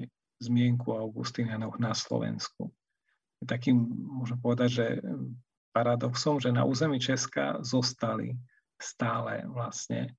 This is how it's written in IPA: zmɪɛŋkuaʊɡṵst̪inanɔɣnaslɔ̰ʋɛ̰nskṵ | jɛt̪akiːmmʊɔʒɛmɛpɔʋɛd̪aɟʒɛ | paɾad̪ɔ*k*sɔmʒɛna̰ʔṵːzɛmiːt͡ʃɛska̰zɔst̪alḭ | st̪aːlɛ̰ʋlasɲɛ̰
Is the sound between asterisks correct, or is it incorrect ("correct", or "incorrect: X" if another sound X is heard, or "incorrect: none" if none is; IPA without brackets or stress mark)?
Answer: correct